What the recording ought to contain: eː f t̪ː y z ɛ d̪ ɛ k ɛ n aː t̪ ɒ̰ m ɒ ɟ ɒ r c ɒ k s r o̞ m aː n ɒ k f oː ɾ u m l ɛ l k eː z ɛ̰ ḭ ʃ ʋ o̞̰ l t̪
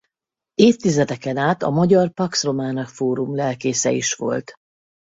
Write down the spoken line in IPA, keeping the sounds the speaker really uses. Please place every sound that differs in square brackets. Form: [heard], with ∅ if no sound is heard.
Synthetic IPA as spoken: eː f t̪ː [i] z ɛ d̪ ɛ k ɛ n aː t̪ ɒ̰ m ɒ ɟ ɒ r [p] ɒ k s r o̞ m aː n ɒ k f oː ɾ u m l ɛ l k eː [s] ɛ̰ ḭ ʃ ʋ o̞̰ l t̪